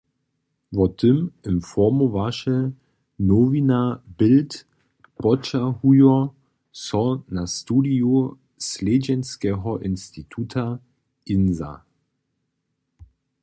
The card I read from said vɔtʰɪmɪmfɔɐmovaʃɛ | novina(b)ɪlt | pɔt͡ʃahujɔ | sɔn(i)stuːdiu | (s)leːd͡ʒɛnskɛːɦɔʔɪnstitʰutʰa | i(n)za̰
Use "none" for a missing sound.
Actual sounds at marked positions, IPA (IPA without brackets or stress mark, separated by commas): b, a, s, n